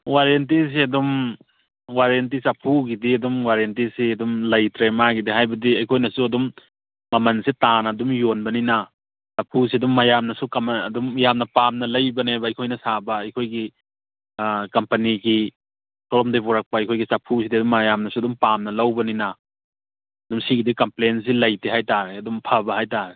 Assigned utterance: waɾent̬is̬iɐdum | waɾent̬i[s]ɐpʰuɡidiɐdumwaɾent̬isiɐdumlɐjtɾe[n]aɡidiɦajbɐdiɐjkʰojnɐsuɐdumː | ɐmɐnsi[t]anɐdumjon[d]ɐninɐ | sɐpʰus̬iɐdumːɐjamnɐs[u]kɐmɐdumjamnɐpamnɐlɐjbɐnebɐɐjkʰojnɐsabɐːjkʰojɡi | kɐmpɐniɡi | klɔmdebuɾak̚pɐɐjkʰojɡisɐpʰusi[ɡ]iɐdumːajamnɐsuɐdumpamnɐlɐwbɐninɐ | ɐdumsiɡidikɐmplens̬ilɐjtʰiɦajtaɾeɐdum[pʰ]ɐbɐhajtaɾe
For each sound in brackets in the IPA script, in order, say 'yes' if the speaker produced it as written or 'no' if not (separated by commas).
yes, no, yes, no, yes, no, yes